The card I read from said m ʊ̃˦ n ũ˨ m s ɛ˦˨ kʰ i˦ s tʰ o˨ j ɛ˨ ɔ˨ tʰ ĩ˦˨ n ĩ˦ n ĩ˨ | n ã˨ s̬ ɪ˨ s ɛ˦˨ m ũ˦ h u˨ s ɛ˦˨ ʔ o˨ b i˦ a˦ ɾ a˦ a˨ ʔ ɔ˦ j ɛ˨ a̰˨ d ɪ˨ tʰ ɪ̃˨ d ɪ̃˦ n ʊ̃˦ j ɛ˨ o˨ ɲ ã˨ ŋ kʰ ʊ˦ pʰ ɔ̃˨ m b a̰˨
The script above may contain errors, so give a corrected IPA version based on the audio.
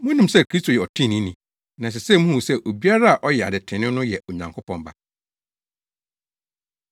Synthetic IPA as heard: m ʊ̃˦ n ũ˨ m s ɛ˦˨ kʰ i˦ s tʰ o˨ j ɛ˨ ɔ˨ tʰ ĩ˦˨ n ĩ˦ n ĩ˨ | n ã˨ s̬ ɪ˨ s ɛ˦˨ m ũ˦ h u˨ s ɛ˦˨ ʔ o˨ b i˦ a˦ ɾ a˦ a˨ ʔ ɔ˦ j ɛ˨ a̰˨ d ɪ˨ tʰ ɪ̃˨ n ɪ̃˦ n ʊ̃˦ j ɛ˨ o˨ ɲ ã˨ ŋ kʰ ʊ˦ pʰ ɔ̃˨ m b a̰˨